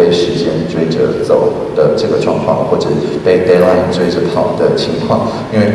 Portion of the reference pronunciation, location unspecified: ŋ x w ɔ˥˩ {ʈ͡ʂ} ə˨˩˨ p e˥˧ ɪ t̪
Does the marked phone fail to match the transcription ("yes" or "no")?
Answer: no